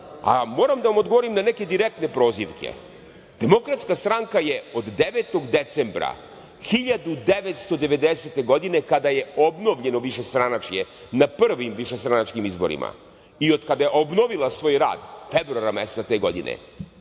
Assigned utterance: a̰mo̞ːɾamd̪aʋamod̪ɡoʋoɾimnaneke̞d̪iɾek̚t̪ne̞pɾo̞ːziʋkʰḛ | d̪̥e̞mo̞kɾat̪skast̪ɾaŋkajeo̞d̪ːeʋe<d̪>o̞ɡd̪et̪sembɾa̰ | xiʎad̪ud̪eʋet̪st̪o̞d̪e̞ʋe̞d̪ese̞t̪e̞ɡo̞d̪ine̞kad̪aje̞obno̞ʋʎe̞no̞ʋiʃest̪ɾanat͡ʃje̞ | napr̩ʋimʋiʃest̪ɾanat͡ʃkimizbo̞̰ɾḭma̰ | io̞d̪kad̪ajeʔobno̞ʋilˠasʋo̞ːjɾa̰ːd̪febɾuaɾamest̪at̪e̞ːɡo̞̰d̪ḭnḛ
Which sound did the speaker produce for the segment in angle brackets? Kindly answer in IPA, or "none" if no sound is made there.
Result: t̪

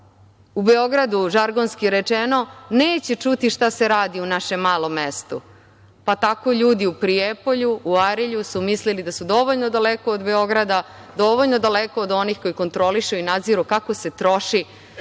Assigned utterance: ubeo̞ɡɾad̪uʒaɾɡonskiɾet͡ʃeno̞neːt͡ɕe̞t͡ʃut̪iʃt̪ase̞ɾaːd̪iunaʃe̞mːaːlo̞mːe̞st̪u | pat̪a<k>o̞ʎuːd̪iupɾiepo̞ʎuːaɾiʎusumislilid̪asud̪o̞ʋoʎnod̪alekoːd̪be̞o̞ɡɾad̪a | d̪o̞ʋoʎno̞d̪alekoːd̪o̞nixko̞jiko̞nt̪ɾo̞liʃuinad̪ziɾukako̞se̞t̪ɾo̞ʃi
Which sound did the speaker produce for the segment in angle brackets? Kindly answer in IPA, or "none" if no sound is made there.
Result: k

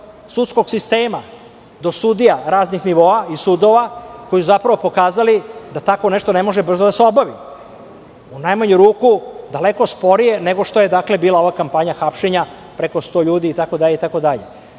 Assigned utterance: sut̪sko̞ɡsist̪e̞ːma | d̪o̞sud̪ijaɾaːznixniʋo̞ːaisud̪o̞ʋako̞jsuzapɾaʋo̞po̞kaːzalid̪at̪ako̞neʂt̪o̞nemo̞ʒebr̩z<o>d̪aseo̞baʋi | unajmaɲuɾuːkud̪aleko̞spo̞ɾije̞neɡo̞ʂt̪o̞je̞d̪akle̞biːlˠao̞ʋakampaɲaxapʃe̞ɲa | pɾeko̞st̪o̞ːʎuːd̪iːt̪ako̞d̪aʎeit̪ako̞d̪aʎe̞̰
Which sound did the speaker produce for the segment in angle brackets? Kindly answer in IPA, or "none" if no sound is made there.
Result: o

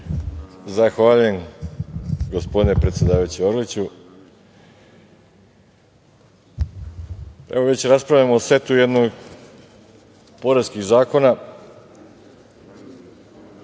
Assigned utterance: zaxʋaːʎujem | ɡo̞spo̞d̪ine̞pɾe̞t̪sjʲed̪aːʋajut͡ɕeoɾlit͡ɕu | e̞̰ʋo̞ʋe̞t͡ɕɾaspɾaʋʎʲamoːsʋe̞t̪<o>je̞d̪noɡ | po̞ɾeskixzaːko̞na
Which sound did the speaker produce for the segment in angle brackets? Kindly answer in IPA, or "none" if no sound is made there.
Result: u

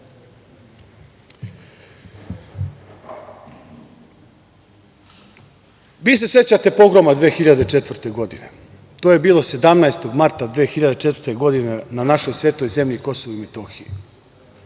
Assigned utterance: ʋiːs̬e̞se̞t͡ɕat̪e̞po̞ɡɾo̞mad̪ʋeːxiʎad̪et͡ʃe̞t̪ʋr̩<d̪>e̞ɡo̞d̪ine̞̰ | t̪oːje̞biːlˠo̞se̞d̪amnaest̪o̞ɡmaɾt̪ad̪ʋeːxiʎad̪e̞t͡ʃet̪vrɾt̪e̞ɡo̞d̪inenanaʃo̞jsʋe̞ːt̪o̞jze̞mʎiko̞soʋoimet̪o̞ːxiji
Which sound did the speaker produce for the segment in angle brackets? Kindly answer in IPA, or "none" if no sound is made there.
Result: t̪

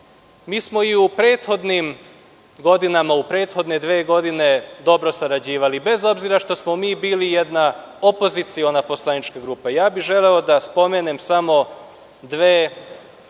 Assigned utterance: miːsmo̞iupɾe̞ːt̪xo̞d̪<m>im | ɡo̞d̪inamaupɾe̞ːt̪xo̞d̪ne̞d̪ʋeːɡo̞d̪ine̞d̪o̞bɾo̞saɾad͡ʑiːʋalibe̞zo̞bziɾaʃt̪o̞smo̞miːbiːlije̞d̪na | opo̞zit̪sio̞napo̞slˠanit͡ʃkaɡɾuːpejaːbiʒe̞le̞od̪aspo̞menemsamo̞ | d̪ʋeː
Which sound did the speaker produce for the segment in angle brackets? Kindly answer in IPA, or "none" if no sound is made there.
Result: n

